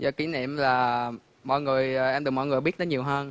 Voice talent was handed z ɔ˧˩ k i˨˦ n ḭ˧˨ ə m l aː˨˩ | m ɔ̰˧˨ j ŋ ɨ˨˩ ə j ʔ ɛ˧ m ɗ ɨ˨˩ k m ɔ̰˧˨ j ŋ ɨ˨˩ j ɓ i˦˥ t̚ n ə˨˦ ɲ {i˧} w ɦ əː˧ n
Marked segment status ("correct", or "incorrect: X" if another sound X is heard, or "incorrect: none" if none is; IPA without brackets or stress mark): incorrect: i˨˩